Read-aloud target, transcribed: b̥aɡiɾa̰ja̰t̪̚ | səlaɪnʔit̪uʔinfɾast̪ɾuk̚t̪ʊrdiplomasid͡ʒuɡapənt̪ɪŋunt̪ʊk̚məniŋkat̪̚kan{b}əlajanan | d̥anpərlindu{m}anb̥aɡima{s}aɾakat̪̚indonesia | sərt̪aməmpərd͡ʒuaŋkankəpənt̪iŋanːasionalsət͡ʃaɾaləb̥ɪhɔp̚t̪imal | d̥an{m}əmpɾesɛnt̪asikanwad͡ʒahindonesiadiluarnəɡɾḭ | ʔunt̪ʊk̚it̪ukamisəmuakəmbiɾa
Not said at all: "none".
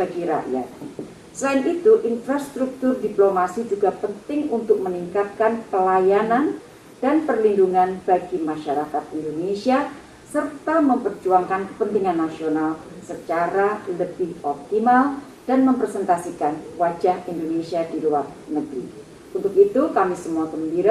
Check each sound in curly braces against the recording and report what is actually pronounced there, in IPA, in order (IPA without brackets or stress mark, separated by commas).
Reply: p, ŋ, ʃ, m